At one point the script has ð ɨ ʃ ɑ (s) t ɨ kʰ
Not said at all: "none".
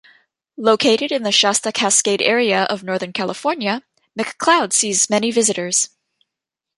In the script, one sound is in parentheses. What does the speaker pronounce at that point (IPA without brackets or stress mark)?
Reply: s